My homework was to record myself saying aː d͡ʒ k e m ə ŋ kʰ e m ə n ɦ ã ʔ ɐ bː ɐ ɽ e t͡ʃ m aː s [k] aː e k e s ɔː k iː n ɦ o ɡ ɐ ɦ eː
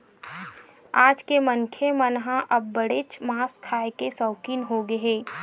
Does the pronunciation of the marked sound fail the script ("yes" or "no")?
yes